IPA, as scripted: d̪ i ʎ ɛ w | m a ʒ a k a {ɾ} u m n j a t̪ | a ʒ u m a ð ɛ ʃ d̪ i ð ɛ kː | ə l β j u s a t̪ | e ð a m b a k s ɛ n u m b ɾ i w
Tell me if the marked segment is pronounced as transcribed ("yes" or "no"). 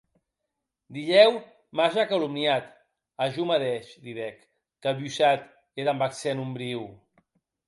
no